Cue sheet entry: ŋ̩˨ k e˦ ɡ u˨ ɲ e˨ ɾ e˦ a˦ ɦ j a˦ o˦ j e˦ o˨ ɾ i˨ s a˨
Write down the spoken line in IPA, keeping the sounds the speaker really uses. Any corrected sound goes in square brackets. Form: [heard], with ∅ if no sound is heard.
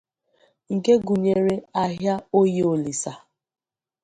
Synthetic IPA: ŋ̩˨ k e˦ ɡ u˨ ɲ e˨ ɾ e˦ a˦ ɦ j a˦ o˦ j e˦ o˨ [l] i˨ s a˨